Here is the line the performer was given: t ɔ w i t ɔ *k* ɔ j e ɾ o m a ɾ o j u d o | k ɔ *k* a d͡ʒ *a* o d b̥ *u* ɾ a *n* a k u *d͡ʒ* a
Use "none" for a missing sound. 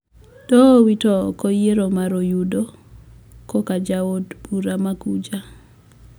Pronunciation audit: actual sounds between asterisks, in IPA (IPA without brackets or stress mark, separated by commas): k, k, a, u, m, d͡ʒ